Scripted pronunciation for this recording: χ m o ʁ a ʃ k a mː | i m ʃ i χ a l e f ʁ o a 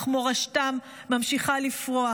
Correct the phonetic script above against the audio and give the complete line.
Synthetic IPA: χ m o ʁ a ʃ t a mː | a m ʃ i χ a l i f ʁ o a

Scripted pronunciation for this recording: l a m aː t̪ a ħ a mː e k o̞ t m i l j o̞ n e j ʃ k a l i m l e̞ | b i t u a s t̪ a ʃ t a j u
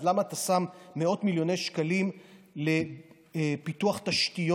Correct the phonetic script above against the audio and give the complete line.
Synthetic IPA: l a m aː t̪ a s a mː e o̞ t m i l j o̞ n e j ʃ k a l i m l e̞ | p i t u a χ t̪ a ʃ t i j o

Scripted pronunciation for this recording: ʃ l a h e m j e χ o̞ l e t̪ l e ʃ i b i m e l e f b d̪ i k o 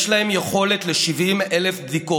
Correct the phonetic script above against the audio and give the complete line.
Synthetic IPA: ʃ l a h e m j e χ o̞ l e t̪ l e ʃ i v i m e l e f b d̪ i k o

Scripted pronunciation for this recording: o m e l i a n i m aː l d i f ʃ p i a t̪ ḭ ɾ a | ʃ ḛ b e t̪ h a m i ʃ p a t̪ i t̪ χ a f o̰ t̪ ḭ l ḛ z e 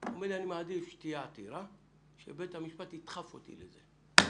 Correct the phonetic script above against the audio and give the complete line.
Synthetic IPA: o m e l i a n i m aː d i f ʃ t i a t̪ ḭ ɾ a | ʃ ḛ b e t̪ h a m i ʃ p a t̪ i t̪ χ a f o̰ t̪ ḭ l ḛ z e

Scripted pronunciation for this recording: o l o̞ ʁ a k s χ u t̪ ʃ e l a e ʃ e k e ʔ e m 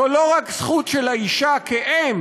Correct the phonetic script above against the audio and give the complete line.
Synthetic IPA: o l o̞ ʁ a k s χ u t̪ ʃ e l a i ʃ a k e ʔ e m

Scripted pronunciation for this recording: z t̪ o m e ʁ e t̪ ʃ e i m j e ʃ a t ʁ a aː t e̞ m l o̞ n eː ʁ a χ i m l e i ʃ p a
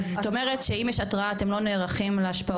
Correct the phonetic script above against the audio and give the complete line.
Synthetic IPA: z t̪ o m e ʁ e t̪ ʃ e i m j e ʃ a t ʁ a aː t e̞ m l o̞ n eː ʁ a χ i m l e a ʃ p a

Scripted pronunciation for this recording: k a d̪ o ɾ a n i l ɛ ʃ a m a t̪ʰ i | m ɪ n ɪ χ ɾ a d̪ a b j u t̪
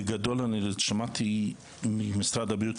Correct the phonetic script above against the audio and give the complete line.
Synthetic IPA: ɡ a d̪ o l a n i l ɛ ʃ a m a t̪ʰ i | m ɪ m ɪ s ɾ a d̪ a b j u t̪

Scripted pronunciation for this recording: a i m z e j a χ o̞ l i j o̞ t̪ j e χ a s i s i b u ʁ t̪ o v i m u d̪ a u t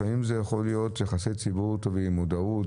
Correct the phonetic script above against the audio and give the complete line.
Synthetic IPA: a i m z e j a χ o̞ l i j o̞ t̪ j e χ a s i t͡s i b u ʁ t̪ o v i m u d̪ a u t

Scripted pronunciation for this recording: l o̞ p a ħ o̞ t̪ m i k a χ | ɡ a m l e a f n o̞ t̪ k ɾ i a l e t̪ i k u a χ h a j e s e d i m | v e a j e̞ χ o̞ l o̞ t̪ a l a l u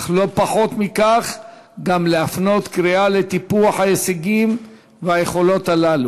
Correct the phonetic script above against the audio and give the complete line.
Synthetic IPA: l o̞ p a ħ o̞ t̪ m i k a χ | ɡ a m l e a f n o̞ t̪ k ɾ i a l e t̪ i p u a ħ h a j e s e ɡ i m | v e a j e̞ χ o̞ l o̞ t̪ a l a l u

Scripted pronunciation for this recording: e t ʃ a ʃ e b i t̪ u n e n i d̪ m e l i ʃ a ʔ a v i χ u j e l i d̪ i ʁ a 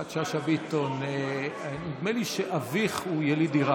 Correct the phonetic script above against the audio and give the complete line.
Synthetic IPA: a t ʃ a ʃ a b i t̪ o n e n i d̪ m e l i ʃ e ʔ a v i χ u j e l i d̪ i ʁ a

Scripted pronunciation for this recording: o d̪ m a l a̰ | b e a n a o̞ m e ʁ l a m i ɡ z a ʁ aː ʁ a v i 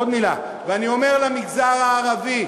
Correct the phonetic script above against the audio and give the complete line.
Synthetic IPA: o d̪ m i l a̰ | v e a n i o̞ m e ʁ l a m i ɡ z a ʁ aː ʁ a v i

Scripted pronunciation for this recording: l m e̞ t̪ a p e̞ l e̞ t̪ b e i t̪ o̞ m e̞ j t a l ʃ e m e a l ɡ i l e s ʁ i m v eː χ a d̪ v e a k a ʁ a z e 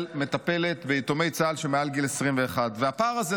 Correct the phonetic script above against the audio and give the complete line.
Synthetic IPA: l m e̞ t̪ a p e̞ l e̞ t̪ b e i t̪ o̞ m e̞ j t͡s a l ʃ e m e a l ɡ i l e s ʁ i m v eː χ a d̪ v e a p a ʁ a z e

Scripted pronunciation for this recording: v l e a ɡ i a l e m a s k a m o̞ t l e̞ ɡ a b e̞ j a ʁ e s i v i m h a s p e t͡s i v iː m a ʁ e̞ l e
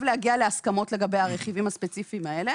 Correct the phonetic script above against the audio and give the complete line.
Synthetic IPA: v l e a ɡ i a l e a s k a m o̞ t l e̞ ɡ a b e̞ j a ʁ e χ i v i m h a s p e t͡s i f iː m a e̞ l e

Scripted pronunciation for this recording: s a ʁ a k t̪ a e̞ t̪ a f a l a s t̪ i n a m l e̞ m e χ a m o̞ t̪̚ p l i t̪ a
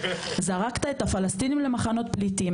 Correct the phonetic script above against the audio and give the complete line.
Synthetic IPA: z a ʁ a k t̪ a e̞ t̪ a f a l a s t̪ i n i m l e̞ m a χ a n o̞ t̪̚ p l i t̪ i

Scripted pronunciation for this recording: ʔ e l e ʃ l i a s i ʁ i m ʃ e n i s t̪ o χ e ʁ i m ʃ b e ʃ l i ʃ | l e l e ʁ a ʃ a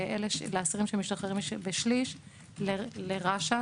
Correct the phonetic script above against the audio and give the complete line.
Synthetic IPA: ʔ e l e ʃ l e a s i ʁ i m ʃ e m i ʃ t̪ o χ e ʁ i m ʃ b e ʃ l i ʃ | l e l e ʁ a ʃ a

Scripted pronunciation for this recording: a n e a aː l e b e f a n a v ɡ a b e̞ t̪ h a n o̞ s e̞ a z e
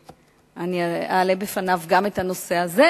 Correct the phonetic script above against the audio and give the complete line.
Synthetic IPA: a n i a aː l e b e f a n a v ɡ a m e̞ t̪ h a n o̞ s e̞ a z e

